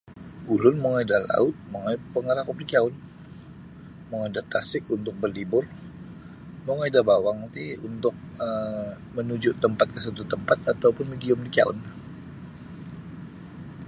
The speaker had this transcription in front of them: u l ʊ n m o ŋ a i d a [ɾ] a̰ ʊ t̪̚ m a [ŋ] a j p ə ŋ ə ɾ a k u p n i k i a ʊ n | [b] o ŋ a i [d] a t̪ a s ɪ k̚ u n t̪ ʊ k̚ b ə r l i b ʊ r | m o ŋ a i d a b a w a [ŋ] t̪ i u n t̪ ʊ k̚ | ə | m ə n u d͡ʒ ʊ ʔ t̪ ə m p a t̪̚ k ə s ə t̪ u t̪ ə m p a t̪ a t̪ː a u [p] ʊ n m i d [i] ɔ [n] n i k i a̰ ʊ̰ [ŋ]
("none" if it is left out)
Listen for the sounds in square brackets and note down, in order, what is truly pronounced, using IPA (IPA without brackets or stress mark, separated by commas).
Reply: l, ŋ, m, d, ŋ, p, i, m, n